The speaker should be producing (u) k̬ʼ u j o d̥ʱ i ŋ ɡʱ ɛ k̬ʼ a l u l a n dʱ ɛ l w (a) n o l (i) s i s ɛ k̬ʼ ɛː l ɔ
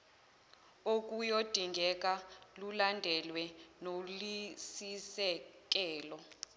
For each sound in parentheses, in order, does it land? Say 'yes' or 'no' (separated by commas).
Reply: no, no, yes